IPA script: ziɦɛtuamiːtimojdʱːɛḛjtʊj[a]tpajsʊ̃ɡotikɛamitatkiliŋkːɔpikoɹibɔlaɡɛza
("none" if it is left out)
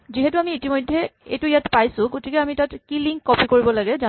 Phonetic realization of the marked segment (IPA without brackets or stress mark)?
a